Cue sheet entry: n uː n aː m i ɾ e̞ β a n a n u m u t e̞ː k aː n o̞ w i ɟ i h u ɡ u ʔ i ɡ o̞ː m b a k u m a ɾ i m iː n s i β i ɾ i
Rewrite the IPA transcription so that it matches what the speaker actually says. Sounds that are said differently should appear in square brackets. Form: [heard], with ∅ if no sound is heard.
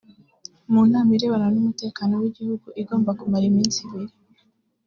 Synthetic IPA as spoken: [m] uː n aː m i ɾ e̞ β a n a n u m u t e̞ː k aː n o̞ w i ɟ i h u ɡ u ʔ i ɡ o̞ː m b a k u m a ɾ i m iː n s i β i ɾ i